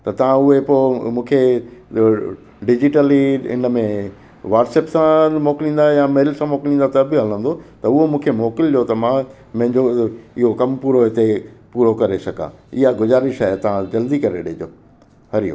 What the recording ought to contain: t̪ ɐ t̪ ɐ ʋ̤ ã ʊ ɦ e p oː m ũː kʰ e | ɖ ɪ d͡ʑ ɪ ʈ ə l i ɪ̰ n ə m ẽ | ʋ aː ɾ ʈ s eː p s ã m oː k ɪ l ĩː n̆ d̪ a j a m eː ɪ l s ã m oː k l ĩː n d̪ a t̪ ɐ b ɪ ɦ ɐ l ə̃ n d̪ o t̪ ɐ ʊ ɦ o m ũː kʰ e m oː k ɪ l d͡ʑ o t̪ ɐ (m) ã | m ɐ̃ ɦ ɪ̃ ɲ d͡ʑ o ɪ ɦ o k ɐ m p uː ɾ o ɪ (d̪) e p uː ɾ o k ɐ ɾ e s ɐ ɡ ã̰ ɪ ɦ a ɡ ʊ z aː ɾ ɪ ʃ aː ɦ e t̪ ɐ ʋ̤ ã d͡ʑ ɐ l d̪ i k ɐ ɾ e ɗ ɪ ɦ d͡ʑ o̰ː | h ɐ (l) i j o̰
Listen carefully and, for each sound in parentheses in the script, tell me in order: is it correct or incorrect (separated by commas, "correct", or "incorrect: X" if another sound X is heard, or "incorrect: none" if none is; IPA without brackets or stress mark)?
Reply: correct, incorrect: t̪, incorrect: ɾ